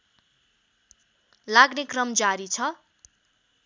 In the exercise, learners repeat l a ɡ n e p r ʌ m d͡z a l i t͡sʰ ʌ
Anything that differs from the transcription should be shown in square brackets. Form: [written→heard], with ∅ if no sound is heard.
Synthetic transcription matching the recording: l a ɡ n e [p→k] r ʌ m d͡z a [l→ɾ] i t͡sʰ ʌ